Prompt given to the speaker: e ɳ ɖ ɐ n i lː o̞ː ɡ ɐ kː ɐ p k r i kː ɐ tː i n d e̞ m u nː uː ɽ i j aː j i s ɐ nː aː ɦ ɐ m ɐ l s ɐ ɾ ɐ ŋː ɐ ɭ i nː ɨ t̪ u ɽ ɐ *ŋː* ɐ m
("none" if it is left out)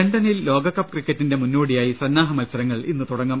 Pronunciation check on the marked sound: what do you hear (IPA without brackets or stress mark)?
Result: ŋː